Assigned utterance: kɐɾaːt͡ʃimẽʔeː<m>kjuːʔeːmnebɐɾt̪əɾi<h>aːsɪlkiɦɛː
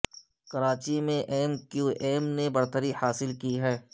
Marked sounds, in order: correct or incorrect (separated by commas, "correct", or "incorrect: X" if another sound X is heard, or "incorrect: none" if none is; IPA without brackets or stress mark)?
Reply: correct, correct